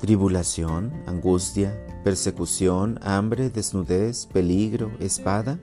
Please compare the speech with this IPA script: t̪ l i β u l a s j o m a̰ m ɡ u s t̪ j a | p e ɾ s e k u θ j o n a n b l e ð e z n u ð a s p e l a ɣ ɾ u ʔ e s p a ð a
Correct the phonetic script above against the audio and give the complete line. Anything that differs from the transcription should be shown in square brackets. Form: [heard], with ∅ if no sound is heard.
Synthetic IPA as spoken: t̪ [ɾ] i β u l a s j o [n] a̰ [ŋ] ɡ u s t̪ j a | p e ɾ s e k u [s] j o n a [m] b [ɾ] e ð e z n u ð [e] s p e l [i] ɣ ɾ [o] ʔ e s p a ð a